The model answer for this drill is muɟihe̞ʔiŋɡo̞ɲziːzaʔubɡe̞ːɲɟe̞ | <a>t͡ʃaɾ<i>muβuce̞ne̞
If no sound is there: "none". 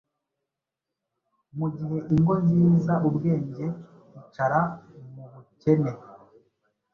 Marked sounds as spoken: i, a

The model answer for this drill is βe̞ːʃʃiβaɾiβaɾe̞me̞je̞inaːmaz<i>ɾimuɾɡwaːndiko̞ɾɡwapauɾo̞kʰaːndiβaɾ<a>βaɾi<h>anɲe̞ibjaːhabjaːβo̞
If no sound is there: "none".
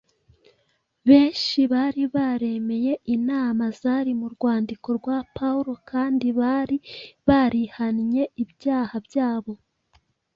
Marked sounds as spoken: a, i, h

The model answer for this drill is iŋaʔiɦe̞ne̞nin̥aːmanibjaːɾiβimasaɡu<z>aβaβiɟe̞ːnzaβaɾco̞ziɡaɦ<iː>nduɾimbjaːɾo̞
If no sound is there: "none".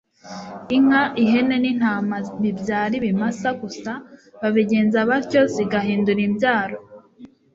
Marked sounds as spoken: s, iː

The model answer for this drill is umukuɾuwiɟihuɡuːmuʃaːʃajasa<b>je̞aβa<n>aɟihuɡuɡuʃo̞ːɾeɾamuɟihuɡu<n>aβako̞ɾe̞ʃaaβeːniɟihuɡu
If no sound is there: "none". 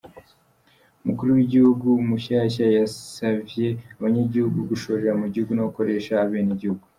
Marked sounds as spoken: v, ɲ, n

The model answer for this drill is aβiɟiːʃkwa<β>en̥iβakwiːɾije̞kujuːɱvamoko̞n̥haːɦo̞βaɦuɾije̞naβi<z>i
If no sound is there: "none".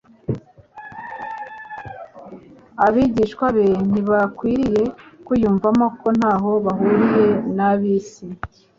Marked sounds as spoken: β, s

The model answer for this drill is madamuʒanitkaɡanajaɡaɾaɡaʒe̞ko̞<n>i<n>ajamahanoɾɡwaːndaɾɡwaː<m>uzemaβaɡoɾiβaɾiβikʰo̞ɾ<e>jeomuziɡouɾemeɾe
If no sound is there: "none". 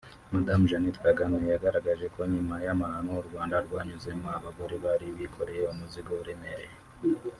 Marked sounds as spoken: ɲ, m, ɲ, e

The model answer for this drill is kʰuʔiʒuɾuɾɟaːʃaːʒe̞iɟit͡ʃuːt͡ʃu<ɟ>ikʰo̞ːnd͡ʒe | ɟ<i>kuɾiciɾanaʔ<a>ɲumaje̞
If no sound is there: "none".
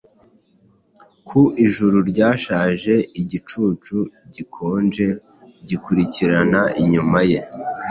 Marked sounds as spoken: ɟ, i, i

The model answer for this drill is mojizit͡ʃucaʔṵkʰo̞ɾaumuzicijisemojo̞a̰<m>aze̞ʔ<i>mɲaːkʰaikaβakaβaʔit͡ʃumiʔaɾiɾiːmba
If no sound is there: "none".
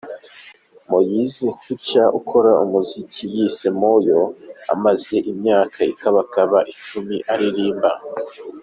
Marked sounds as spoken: m, i

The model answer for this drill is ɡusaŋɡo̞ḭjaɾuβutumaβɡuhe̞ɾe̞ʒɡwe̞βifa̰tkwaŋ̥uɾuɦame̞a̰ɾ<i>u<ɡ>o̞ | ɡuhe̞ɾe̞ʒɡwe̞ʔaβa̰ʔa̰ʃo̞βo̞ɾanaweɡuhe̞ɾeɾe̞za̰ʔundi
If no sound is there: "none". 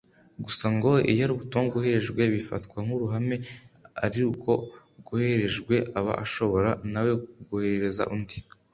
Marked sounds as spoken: i, k

